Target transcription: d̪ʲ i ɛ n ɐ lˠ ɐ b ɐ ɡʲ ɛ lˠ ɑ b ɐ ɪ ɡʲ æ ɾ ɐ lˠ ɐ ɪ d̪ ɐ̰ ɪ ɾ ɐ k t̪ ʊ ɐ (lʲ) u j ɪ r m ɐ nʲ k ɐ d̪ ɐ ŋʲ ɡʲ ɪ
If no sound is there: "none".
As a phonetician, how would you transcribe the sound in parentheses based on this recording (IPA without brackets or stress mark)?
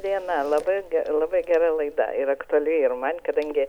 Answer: lʲ